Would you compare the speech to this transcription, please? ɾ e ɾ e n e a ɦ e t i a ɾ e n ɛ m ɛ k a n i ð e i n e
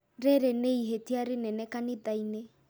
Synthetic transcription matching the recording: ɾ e ɾ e n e i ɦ e t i a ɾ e n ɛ n ɛ k a n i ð a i n e